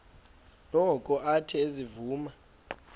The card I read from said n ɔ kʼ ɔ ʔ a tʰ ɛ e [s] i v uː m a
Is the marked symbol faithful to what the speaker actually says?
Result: no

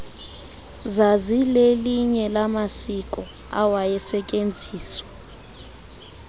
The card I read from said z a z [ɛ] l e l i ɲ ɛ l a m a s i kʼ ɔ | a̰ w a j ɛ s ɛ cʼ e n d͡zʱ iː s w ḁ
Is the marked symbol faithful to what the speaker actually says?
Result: no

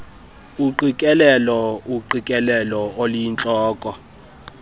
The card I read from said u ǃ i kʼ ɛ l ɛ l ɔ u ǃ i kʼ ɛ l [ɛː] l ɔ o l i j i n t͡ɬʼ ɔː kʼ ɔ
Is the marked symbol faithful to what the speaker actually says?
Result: no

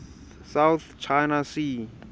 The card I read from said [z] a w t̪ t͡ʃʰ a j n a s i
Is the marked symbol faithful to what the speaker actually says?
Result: no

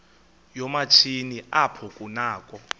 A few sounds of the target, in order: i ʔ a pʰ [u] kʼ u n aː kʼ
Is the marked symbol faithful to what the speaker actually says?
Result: no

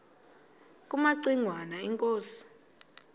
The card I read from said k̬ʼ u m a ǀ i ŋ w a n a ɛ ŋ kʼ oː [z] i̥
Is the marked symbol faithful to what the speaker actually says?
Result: no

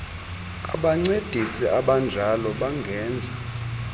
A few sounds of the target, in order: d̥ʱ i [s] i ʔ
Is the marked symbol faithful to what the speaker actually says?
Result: yes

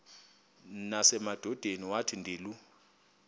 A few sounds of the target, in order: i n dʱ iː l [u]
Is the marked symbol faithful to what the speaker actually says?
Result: yes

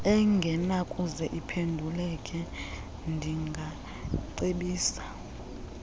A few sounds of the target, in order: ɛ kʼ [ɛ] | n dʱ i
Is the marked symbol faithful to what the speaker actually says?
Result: yes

